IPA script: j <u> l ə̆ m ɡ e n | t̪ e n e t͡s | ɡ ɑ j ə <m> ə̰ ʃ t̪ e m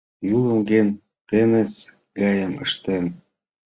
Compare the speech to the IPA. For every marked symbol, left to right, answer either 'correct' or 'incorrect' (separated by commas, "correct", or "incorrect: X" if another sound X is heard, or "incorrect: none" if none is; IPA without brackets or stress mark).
correct, correct